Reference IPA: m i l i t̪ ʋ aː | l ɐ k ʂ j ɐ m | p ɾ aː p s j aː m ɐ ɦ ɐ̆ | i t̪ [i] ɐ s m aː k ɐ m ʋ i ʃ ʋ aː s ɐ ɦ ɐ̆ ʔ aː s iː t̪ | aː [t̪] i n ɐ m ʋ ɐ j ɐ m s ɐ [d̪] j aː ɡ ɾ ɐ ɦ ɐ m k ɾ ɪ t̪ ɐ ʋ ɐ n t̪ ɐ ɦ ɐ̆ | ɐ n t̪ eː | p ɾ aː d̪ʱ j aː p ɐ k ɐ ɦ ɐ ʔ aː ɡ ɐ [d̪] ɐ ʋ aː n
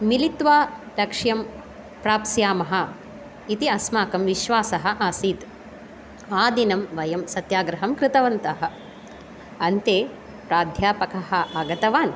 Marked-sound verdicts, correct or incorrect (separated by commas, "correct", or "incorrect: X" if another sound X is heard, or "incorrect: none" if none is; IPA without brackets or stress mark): correct, incorrect: d̪, incorrect: t̪, incorrect: t̪